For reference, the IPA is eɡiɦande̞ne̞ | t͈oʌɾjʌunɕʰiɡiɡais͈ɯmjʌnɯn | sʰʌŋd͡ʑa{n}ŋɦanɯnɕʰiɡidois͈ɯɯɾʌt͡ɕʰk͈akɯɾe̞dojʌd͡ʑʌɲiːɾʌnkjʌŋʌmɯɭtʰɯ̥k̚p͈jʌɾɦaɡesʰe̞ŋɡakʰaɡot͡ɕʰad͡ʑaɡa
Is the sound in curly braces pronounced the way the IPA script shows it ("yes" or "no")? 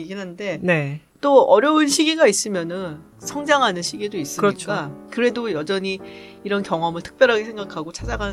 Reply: no